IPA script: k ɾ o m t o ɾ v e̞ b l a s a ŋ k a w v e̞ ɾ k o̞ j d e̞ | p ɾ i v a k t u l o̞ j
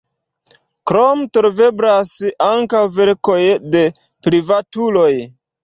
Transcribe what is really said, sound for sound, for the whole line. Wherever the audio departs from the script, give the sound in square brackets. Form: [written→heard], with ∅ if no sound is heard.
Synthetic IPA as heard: k ɾ o m t o ɾ v e̞ b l a s a ŋ k a w v e̞ ɾ k o̞ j d e̞ | p ɾ i v a [k→∅] t u l o̞ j